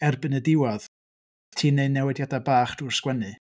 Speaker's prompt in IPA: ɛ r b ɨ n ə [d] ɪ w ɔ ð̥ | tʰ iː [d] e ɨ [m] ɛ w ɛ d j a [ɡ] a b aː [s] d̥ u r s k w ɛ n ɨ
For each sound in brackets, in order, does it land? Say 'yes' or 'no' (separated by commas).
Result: yes, no, no, no, no